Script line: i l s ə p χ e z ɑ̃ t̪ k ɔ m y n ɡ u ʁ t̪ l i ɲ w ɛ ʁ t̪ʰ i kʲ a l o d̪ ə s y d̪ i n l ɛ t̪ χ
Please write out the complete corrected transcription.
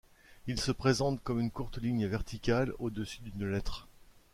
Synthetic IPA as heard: i l s ə p χ e z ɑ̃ t̪ k ɔ m y n k u ʁ t̪ l i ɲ v ɛ ʁ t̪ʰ i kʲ a l o d̪ ə s y d̪ y n l ɛ t̪ χ